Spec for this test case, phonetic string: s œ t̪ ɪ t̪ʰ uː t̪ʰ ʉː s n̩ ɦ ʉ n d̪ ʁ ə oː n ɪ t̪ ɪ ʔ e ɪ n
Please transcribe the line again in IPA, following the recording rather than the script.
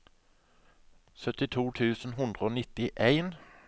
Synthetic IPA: s œ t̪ ɪ t̪ʰ uː t̪ʰ ʉː s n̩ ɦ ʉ n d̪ ʁ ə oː n ɪ t̪ ɪ ʔ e ɪ n